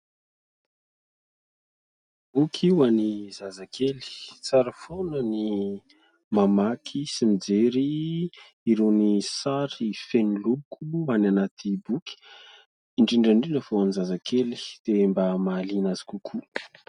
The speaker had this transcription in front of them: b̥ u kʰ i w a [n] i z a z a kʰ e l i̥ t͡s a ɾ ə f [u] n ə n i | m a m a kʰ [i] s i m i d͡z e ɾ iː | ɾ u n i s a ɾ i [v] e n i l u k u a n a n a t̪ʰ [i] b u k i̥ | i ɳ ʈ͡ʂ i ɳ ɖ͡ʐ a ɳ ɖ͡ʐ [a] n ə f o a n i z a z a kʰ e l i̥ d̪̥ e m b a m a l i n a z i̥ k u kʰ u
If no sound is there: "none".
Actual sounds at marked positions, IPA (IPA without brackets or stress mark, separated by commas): n, o, i, f, i, i